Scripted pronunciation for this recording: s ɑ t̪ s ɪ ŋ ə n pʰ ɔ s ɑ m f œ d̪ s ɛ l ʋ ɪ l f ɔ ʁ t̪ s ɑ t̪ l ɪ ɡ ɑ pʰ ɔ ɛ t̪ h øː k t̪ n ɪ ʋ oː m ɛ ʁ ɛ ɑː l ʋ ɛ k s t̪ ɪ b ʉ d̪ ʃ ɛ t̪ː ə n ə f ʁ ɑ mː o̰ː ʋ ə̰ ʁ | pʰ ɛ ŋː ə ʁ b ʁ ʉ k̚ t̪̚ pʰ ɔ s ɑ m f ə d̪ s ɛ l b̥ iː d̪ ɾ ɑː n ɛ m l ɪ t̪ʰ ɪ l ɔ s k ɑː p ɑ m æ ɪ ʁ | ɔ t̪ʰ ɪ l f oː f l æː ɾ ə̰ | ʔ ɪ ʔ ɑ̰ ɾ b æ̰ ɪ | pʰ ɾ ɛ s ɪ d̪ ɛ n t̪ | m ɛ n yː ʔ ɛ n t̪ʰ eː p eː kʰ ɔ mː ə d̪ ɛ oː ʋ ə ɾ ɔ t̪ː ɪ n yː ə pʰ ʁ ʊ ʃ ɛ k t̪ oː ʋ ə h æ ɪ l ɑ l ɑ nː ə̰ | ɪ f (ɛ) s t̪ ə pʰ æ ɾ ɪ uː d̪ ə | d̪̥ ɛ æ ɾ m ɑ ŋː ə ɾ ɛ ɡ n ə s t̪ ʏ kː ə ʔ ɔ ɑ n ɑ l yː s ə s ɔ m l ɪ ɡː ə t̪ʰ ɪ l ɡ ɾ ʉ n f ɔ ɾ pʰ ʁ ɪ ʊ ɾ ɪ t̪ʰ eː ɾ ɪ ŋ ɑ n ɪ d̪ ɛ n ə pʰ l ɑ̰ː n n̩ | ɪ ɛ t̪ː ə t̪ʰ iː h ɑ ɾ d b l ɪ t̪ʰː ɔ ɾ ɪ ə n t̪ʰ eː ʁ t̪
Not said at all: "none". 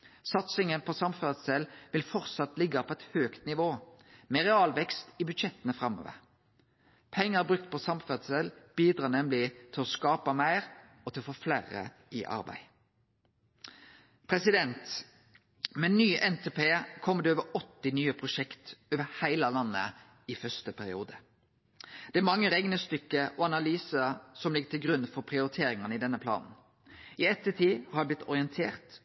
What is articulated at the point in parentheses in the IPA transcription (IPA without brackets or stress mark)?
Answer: œ